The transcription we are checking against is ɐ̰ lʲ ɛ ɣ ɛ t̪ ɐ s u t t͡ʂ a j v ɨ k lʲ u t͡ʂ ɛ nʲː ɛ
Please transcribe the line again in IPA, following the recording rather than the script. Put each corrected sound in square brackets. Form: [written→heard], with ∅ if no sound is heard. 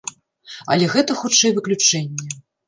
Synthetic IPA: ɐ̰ lʲ ɛ ɣ ɛ t̪ ɐ [s→x] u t t͡ʂ [a→ɛ] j v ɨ k lʲ u t͡ʂ ɛ nʲː ɛ